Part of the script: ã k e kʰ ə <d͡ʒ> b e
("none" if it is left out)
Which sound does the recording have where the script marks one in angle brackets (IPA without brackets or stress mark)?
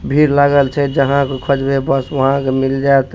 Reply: d͡ʒ